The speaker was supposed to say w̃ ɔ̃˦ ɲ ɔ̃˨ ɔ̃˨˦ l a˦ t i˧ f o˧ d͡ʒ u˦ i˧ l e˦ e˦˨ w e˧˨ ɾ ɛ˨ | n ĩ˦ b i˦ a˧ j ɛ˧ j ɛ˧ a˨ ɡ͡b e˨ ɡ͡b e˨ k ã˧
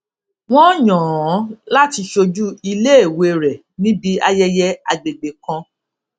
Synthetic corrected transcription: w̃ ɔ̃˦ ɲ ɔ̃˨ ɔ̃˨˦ l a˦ t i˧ ʃ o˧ d͡ʒ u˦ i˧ l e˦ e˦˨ w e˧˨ ɾ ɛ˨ | n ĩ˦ b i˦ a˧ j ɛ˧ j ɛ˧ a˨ ɡ͡b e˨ ɡ͡b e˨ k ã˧